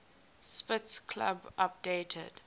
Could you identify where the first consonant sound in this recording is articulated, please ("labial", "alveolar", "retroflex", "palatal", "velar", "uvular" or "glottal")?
alveolar